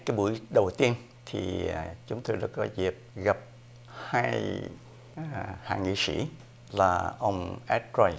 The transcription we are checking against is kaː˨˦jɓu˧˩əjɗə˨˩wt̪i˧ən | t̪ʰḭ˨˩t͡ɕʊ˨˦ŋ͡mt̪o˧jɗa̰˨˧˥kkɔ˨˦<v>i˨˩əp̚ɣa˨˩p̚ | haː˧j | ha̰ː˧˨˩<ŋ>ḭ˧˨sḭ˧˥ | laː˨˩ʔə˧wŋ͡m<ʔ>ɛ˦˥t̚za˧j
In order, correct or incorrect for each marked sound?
incorrect, correct, correct

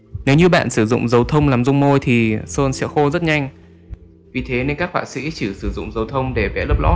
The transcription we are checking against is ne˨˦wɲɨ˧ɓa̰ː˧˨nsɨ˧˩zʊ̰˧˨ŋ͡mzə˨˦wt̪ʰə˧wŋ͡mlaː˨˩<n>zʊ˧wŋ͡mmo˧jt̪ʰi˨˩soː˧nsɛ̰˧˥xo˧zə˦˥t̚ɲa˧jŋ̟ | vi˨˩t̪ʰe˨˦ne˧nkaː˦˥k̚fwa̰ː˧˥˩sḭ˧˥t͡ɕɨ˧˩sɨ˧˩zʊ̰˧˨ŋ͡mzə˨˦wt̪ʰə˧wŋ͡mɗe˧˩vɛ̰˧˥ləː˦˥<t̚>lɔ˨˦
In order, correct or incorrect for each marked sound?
incorrect, incorrect

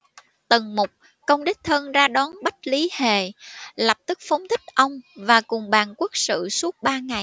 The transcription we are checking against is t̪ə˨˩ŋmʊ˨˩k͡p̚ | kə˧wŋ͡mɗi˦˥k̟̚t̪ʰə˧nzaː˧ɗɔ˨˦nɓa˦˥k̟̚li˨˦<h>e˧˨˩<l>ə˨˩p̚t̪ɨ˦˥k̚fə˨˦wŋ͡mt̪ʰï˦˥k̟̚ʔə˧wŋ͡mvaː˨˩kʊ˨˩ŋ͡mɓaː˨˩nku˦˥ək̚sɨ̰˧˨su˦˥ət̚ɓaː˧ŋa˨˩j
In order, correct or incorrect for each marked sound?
correct, correct

